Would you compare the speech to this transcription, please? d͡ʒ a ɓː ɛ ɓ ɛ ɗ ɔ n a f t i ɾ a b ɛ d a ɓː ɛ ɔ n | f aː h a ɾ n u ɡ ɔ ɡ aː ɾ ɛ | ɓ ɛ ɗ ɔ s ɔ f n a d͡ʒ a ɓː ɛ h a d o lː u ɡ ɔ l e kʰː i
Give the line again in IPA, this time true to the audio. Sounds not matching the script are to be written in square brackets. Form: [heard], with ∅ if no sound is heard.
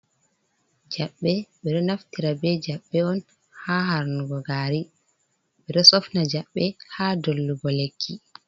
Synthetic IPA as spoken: d͡ʒ a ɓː ɛ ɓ ɛ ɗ ɔ n a f t i ɾ a b ɛ [d͡ʒ] a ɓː ɛ ɔ n | [h] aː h a ɾ n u ɡ ɔ ɡ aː ɾ [i] | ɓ ɛ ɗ ɔ s ɔ f n a d͡ʒ a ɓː ɛ h a d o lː u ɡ ɔ l e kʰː i